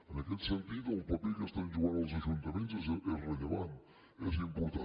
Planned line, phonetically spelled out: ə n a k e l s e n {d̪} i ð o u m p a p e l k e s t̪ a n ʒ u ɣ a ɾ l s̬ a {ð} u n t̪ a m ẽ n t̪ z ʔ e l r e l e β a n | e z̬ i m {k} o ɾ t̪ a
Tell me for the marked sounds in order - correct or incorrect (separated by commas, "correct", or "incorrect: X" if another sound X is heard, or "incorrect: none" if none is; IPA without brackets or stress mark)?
incorrect: t̪, incorrect: ʒ, incorrect: p